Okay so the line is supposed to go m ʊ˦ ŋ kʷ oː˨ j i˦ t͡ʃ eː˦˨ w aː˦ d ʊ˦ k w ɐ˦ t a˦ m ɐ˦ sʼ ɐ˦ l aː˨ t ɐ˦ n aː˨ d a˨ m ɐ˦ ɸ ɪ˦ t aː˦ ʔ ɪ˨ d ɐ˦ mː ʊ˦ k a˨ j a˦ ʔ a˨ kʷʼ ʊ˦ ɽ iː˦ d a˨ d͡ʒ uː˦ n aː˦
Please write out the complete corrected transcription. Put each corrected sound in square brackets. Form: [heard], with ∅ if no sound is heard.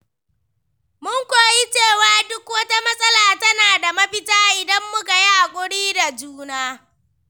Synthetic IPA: m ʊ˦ ŋ kʷ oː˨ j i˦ t͡ʃ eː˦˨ w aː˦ d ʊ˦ k w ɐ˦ t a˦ m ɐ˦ sʼ ɐ˦ l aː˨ t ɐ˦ n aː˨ d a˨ m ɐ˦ ɸ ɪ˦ t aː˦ ʔ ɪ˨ d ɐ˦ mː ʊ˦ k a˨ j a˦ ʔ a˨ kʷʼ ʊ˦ ɽ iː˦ d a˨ d͡ʒ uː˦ n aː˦